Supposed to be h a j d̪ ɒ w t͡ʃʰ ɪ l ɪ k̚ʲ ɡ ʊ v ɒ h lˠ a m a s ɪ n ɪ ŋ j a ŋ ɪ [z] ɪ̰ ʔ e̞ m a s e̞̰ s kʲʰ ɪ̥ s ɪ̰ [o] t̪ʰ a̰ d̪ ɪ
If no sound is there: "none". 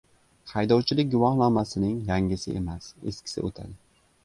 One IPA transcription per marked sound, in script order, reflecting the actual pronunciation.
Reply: s, o

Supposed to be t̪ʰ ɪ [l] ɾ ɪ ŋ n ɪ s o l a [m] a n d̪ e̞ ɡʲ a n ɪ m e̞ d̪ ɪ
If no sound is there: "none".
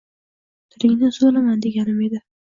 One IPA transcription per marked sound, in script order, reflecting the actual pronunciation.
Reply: none, m

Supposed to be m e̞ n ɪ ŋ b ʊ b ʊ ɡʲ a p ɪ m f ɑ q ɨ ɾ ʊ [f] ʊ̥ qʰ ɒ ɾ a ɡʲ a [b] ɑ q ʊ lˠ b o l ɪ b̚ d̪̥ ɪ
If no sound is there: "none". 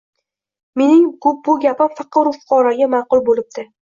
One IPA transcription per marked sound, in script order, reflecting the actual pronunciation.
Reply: f, m

